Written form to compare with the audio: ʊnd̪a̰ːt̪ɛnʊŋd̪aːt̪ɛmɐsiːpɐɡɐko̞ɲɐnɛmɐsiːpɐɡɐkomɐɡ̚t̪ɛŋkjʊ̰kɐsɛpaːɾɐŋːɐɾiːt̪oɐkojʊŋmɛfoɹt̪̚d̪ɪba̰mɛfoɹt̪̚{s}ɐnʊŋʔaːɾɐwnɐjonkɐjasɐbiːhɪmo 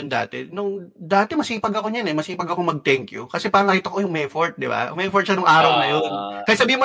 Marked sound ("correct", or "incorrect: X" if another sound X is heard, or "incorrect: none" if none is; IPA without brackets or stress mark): incorrect: ʃ